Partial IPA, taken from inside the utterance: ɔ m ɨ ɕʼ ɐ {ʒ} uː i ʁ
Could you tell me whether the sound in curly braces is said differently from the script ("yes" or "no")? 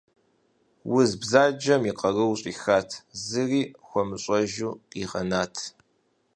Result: no